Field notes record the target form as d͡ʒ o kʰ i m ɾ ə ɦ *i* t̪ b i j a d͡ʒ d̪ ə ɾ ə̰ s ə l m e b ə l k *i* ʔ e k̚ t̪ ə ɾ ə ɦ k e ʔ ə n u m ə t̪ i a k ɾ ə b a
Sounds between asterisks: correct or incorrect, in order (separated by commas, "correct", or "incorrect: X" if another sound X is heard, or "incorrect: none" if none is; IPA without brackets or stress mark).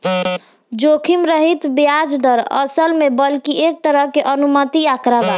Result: correct, correct